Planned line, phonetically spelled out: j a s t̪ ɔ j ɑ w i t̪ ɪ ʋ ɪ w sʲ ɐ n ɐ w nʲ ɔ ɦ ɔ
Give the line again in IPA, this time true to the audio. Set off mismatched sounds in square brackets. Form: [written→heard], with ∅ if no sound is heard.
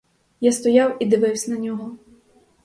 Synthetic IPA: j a s t̪ ɔ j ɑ w i [t̪→d̪] ɪ ʋ ɪ w sʲ ɐ n ɐ [w→∅] nʲ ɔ ɦ ɔ